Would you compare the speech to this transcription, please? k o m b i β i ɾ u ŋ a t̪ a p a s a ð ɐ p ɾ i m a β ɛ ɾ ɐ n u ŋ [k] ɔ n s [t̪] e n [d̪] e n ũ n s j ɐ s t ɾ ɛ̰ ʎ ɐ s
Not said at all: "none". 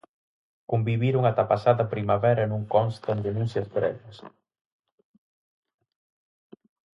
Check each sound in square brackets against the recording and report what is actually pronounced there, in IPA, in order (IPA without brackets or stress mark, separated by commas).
k, t̪, d̪